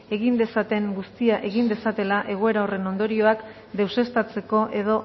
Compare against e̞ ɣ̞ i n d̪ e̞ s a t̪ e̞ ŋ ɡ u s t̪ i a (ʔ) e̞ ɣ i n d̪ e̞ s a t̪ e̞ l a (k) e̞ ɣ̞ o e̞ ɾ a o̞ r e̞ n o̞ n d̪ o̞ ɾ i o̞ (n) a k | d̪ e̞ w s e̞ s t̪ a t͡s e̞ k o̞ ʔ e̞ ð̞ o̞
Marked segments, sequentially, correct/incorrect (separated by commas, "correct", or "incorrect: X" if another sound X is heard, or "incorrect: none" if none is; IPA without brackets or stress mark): correct, incorrect: ʔ, incorrect: none